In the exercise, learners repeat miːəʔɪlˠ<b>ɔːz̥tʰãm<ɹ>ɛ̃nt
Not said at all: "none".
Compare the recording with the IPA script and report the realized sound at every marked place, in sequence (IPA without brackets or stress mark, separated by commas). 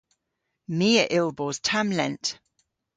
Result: b, l